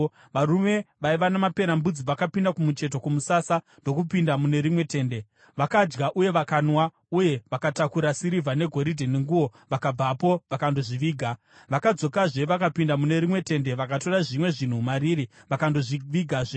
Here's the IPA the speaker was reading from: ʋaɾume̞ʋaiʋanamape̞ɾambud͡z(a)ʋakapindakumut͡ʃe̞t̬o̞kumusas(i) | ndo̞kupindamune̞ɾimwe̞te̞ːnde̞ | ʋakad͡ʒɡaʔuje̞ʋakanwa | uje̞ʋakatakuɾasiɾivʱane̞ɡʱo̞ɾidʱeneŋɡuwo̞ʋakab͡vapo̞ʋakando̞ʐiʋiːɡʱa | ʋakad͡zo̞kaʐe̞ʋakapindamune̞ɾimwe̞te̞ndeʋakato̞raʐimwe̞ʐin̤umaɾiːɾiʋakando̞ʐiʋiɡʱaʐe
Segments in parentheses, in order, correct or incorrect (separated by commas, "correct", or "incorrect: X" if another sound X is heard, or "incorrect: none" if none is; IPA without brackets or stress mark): incorrect: i, incorrect: a